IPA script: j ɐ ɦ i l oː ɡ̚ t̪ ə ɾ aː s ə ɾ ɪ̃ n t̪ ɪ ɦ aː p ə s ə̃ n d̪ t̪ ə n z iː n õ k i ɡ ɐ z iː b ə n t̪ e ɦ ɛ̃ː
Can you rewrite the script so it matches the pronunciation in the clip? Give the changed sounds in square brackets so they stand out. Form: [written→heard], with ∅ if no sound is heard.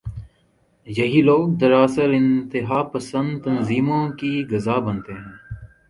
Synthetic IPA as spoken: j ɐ ɦ i l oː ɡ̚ [t̪→d̪] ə ɾ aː s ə ɾ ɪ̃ n t̪ ɪ ɦ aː p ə s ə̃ n d̪ t̪ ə n z iː [n→m] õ k i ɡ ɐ z [iː→aː] b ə n t̪ e ɦ ɛ̃ː